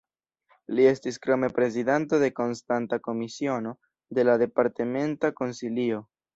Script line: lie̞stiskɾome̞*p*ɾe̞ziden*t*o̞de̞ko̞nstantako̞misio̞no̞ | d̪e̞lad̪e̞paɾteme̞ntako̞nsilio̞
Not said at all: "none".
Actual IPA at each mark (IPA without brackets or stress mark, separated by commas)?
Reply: p, t